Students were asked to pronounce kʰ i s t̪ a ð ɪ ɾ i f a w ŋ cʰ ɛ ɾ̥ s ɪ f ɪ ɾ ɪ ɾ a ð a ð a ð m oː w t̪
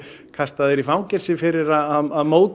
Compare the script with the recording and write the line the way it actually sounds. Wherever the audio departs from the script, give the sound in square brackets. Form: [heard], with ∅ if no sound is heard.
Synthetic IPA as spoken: kʰ [a] s t̪ a ð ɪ ɾ i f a w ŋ [c] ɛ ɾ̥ s ɪ f ɪ ɾ ɪ ɾ a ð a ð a ð m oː w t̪